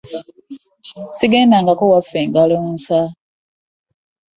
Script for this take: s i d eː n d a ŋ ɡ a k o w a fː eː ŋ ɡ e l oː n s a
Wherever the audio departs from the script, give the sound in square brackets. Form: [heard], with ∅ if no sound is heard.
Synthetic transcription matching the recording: s i [ɡ] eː n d a ŋ ɡ a k o w a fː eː ŋ ɡ [a] l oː n s a